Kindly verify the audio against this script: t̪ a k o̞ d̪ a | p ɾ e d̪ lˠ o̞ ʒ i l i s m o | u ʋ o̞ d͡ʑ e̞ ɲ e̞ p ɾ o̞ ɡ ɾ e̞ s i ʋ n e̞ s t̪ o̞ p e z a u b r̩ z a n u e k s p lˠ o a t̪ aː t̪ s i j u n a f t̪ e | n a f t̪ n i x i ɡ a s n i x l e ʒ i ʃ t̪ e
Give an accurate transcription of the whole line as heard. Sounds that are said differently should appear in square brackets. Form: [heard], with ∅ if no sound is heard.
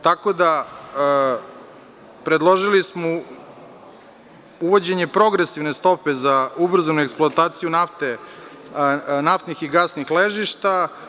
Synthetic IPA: t̪ a k o̞ d̪ a | p ɾ e d̪ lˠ o̞ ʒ i l i s m o | u ʋ o̞ d͡ʑ e̞ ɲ e̞ p ɾ o̞ ɡ ɾ e̞ s i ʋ n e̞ s t̪ o̞ p e z a u b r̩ z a n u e k s p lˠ o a t̪ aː t̪ s i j u n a f t̪ e | n a f t̪ n i x i ɡ a s n i x l e ʒ i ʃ t̪ [a]